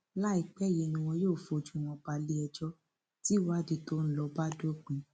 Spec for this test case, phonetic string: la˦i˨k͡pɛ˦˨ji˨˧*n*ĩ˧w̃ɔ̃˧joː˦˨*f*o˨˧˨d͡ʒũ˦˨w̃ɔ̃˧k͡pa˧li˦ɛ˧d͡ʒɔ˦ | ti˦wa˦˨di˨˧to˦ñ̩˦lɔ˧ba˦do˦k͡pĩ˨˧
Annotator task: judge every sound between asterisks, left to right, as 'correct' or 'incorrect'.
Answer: correct, correct

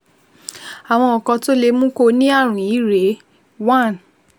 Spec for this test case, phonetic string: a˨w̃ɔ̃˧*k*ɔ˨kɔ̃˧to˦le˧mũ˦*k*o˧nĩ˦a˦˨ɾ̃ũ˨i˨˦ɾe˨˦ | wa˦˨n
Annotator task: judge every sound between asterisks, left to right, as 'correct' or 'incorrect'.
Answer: incorrect: none, correct

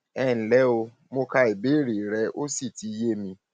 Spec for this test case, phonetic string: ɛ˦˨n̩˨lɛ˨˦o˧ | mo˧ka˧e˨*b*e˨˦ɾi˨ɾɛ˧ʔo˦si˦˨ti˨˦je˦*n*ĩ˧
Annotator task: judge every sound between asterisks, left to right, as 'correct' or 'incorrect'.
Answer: correct, incorrect: m

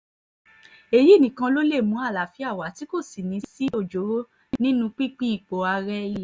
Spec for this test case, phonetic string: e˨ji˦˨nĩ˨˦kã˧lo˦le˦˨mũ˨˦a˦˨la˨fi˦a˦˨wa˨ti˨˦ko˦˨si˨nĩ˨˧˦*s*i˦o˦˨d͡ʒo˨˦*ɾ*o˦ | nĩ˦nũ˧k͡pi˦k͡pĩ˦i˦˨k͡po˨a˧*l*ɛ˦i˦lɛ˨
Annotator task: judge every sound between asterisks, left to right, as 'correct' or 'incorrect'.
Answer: correct, correct, incorrect: ɾ

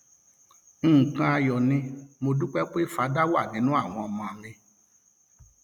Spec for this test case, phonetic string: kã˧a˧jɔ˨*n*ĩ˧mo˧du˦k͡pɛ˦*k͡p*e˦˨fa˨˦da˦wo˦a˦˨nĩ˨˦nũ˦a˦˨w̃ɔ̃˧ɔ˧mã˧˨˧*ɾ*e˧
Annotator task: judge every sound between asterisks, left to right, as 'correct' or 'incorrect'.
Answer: correct, correct, correct

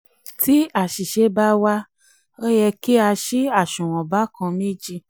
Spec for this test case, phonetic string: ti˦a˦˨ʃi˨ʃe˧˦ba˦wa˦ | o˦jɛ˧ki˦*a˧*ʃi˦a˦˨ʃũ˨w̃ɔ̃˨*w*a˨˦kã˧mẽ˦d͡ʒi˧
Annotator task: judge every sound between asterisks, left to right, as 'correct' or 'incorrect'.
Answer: correct, incorrect: b

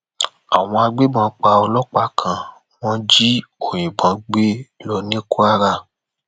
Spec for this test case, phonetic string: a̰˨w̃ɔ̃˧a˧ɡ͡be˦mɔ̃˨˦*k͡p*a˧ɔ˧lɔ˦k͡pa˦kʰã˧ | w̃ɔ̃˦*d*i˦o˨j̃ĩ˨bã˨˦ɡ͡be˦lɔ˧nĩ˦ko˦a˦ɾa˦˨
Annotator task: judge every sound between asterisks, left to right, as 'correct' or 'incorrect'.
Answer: correct, incorrect: d͡ʒ

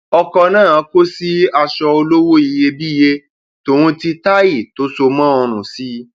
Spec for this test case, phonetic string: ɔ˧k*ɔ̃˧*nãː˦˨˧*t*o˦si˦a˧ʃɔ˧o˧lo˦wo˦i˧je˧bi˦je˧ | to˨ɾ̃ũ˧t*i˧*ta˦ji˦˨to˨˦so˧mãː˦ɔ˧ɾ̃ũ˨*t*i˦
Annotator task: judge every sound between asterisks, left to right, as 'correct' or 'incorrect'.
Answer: incorrect: ɔ˧, incorrect: k, correct, incorrect: s

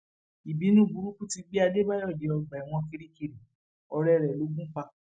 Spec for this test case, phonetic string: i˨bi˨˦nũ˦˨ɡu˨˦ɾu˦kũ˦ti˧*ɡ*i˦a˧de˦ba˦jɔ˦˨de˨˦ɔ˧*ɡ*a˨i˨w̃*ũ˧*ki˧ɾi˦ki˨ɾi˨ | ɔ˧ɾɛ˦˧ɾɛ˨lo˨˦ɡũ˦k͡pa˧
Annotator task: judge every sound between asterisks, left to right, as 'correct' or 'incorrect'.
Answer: incorrect: ɡ͡b, incorrect: ɡ͡b, incorrect: ɔ̃˧

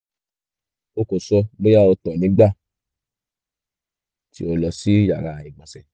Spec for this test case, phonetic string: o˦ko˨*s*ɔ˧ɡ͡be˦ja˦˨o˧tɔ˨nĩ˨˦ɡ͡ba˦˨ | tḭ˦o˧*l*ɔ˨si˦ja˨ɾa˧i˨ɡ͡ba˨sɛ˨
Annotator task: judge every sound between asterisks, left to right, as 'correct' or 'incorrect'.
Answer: correct, correct

